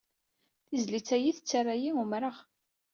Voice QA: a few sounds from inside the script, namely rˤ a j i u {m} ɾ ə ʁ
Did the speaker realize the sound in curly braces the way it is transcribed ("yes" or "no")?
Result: yes